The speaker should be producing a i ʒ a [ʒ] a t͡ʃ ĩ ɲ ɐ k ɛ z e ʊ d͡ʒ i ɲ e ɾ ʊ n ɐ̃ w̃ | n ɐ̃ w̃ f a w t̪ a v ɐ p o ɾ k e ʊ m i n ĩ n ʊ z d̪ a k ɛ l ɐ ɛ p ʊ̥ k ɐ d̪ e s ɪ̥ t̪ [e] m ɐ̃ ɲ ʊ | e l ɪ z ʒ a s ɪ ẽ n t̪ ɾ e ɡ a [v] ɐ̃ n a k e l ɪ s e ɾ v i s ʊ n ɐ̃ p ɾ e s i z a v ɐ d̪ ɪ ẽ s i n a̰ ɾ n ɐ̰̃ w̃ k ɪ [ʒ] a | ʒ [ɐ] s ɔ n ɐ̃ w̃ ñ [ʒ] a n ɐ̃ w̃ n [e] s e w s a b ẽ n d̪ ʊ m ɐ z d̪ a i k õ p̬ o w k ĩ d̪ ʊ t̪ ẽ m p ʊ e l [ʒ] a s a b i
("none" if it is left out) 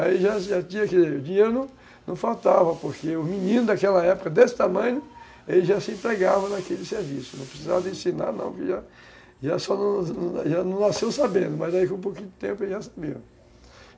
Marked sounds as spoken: ʒ, a, v, ʒ, a, ʒ, a, ʒ

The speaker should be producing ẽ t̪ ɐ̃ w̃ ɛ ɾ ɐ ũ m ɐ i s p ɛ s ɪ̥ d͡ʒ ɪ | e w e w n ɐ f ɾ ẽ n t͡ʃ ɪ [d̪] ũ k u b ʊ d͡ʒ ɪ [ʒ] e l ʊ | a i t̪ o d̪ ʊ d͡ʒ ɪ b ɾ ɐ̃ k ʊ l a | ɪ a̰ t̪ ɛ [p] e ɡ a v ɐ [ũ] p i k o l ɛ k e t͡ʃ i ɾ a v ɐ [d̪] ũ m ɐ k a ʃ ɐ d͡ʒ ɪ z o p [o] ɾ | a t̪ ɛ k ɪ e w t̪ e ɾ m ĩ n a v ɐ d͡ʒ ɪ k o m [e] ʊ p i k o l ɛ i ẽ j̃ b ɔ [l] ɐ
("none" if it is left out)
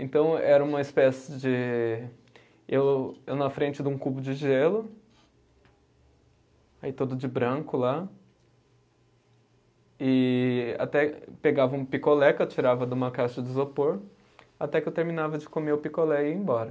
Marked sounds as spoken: d̪, ʒ, p, ũ, d̪, o, e, ɾ

